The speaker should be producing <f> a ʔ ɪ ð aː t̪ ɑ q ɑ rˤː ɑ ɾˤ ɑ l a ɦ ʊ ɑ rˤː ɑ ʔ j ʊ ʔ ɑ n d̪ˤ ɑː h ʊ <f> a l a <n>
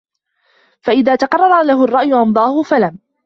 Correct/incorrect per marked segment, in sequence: correct, correct, incorrect: m

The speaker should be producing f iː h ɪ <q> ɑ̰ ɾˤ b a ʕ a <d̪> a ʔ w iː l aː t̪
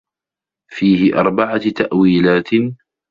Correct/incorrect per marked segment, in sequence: incorrect: ʔ, incorrect: t̪

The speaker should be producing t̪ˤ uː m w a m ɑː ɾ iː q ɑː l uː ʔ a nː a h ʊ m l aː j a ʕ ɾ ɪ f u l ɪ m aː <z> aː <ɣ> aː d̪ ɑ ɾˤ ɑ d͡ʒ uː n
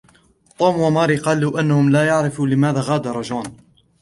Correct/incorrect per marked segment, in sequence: incorrect: ð, correct

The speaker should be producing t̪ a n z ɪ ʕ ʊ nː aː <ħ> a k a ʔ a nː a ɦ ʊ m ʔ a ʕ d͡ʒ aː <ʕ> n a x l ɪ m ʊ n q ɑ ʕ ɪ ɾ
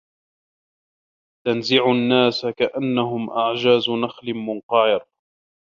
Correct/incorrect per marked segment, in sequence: incorrect: s, incorrect: z

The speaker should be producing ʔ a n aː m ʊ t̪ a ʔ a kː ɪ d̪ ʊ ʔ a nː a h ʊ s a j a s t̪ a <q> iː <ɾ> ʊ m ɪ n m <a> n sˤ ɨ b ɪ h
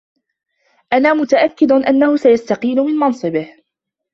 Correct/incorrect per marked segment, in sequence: correct, incorrect: l, incorrect: ɑ

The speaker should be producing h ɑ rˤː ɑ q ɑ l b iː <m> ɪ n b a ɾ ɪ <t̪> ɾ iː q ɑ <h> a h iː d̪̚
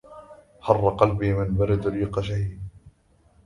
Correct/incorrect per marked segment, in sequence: correct, incorrect: d̪, incorrect: ʃ

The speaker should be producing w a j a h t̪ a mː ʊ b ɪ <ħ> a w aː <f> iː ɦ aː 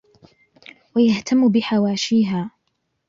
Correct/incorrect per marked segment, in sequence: correct, incorrect: ʃ

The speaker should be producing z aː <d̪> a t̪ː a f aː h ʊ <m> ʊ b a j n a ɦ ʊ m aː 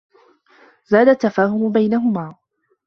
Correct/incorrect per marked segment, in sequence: correct, correct

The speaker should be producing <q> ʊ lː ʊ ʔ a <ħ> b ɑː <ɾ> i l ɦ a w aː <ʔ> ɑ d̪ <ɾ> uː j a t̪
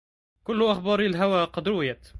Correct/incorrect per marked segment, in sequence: incorrect: k, incorrect: x, correct, incorrect: q, correct

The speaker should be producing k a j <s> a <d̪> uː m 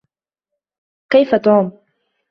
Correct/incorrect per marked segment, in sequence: incorrect: f, incorrect: t̪

